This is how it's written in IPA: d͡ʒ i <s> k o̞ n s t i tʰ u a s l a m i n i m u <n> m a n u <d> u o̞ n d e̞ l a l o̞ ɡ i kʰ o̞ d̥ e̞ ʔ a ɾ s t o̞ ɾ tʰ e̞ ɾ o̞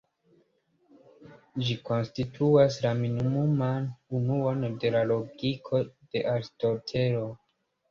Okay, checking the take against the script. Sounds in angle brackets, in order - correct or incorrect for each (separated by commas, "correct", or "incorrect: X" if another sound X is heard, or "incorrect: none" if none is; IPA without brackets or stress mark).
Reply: incorrect: none, incorrect: none, incorrect: n